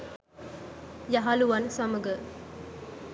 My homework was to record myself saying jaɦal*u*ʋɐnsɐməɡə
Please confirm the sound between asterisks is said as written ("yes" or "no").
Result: yes